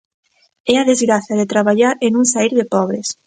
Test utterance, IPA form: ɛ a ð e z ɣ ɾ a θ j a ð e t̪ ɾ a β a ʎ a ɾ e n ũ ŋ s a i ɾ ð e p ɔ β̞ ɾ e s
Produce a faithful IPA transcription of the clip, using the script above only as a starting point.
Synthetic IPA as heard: ɛ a ð e z ɣ ɾ a θ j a ð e t̪ ɾ a β a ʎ a ɾ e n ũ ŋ s a i ɾ ð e p ɔ β̞ ɾ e s